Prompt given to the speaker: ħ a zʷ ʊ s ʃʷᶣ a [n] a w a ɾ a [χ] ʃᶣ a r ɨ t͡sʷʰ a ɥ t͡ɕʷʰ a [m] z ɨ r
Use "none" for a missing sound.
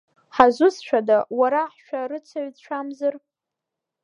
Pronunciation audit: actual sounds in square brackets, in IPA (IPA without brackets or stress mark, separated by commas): d, ħ, m